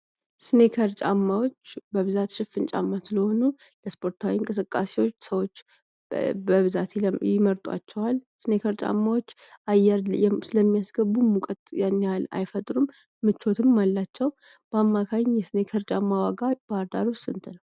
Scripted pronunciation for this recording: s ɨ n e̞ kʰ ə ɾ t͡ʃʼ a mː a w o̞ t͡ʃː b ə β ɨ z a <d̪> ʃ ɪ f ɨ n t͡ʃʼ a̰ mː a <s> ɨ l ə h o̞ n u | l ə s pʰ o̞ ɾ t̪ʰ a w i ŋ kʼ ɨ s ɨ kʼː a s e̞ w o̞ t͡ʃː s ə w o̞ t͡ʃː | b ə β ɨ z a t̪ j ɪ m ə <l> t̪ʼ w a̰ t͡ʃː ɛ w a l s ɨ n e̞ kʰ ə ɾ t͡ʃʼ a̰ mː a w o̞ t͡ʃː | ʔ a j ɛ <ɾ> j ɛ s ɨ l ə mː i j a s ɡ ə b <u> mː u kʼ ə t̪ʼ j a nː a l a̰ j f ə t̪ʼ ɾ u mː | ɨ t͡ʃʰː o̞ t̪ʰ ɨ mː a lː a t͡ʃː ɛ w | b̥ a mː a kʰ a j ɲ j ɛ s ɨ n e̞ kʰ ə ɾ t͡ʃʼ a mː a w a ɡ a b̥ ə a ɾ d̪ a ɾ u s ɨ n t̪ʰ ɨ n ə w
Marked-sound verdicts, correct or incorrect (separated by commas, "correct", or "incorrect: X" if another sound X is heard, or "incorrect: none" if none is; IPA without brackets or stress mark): incorrect: t̪, correct, incorrect: ɾ, correct, correct